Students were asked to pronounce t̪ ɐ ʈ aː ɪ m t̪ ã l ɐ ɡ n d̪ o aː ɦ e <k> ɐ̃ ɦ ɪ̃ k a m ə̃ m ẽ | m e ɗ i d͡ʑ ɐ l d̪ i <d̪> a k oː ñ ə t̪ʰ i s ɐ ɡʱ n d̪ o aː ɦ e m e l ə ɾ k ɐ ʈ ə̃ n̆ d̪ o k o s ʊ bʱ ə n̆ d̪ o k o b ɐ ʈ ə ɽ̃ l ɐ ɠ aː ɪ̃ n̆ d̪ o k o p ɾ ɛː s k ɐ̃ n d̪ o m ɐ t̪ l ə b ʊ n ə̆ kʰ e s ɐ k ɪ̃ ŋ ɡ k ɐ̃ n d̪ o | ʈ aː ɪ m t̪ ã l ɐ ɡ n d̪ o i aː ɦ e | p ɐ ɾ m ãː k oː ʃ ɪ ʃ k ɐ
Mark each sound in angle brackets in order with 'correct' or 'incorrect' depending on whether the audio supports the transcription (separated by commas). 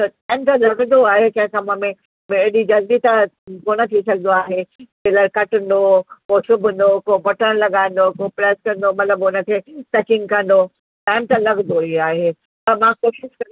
correct, incorrect